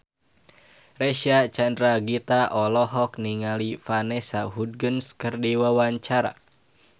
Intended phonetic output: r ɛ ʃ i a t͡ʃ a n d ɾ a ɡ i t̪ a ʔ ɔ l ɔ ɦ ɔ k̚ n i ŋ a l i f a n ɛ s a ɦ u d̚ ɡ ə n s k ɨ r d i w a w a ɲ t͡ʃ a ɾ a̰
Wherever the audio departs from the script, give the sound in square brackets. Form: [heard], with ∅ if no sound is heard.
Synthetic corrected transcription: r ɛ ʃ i a t͡ʃ a n d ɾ a ɡ i t̪ a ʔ ɔ l ɔ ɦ ɔ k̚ n i ŋ a l i f a n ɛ s a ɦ u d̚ ɡ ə n s k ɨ r d i w a w a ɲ t͡ʃ a ɾ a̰